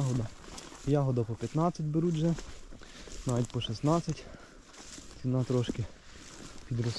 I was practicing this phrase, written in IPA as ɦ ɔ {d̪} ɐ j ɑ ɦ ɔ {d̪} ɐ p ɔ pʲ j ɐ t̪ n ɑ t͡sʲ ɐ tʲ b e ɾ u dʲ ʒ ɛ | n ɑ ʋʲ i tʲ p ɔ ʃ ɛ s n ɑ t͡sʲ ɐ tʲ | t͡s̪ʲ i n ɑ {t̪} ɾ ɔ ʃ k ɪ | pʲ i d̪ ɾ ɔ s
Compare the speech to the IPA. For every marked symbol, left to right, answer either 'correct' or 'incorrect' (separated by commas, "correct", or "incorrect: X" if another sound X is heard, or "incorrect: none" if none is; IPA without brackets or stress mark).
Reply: correct, correct, correct